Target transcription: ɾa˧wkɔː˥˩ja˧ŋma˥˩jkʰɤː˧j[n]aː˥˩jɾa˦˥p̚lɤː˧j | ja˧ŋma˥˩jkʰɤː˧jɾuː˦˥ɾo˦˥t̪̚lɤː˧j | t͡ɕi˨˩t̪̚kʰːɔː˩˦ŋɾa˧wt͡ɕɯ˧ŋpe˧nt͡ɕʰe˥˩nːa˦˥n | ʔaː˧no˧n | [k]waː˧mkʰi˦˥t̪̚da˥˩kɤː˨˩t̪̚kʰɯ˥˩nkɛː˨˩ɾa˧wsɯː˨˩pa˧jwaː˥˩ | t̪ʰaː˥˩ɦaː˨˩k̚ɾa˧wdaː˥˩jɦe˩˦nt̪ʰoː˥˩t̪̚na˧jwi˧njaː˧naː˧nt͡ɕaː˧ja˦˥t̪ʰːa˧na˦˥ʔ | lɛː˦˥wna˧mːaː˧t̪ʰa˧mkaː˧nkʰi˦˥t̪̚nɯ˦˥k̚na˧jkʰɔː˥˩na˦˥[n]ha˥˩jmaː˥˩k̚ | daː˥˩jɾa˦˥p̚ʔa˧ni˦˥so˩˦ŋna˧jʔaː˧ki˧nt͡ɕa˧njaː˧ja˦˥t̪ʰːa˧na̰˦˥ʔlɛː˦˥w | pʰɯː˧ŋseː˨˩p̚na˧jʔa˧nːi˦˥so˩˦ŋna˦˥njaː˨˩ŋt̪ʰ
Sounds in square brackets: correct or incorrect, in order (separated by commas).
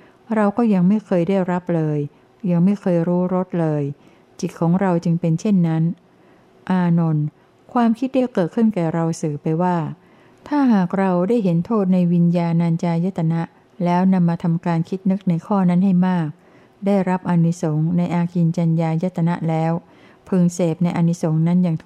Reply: incorrect, incorrect, correct